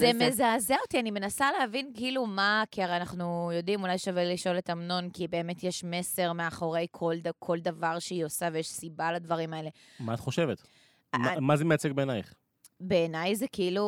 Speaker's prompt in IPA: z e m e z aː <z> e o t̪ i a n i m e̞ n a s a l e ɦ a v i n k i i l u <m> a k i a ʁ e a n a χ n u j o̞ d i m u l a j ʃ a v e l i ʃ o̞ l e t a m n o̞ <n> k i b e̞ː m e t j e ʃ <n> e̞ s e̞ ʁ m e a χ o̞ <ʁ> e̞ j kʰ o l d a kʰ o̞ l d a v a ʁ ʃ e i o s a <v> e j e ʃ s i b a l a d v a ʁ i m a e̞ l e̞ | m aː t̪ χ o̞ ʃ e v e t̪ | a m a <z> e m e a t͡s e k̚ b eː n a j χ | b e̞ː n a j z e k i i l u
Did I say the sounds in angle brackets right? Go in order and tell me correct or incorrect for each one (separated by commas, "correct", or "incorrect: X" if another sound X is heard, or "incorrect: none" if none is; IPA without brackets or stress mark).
correct, correct, correct, incorrect: m, correct, correct, correct